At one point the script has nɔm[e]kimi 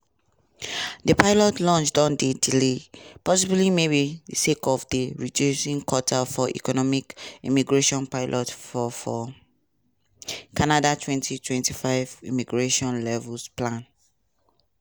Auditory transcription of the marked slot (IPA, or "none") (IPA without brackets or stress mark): i